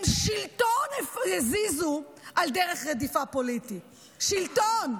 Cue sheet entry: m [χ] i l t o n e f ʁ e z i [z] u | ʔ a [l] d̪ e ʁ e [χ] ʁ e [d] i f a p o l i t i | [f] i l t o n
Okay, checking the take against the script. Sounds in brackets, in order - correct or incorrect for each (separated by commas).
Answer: incorrect, correct, correct, correct, correct, incorrect